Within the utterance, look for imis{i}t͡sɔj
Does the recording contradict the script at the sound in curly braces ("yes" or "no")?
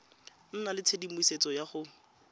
yes